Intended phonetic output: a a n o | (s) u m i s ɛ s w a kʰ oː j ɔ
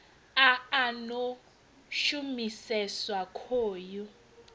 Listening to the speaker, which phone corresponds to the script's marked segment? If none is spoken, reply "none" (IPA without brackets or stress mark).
ʃ